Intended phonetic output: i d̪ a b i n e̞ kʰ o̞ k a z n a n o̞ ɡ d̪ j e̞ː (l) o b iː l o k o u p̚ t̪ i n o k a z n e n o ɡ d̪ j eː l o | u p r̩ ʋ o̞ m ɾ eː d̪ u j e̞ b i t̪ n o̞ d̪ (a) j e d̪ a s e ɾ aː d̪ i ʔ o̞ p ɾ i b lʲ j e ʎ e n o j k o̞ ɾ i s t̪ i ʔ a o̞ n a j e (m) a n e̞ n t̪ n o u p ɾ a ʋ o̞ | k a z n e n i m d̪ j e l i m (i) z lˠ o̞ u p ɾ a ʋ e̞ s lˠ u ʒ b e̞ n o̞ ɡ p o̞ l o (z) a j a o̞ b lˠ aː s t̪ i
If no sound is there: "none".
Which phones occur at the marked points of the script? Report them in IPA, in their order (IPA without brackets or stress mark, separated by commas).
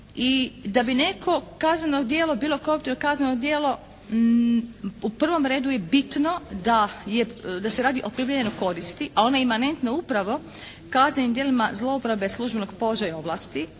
l, a, m, a, ʒ